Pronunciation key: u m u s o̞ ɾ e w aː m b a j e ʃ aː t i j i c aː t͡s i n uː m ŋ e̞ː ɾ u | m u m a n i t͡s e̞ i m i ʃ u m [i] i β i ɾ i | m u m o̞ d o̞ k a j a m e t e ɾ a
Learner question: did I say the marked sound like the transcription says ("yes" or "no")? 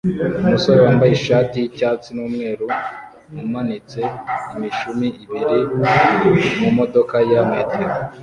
yes